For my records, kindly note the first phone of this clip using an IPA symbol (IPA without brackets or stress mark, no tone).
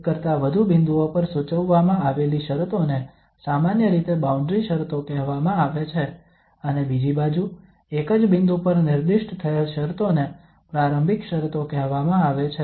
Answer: k